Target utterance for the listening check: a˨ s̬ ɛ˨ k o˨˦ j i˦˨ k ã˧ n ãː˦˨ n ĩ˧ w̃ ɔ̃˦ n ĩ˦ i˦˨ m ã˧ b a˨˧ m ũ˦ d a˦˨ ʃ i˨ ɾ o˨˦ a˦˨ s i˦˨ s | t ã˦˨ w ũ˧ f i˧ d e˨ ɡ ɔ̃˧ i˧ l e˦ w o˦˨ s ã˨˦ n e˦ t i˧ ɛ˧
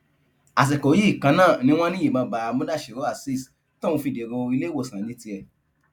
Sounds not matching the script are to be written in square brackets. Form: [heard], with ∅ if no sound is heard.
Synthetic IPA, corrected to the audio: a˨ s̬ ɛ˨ k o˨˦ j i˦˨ k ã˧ n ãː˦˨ n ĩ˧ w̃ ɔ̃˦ n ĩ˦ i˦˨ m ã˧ b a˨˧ m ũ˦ d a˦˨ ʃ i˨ ɾ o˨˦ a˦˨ s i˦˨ s | t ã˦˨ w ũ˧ f i˧ d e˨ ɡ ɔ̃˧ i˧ l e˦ w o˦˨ s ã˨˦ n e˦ t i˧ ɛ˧